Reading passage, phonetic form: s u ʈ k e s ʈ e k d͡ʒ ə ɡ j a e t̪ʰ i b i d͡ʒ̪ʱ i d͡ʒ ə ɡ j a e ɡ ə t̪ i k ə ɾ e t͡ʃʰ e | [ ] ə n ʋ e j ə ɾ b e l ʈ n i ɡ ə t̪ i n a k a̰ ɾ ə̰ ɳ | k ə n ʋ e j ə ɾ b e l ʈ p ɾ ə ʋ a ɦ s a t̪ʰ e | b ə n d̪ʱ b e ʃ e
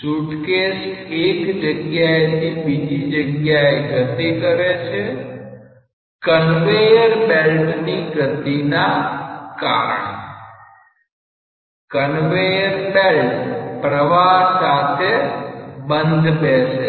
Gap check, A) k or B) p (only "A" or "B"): A